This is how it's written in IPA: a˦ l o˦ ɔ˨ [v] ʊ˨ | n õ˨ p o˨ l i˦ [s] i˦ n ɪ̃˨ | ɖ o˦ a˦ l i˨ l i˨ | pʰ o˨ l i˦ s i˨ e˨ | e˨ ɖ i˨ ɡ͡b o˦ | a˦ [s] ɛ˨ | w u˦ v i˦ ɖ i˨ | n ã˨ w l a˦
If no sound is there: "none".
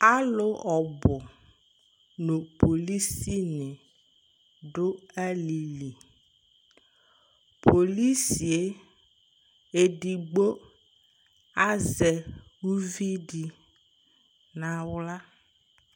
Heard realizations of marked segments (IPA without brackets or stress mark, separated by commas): b, s, z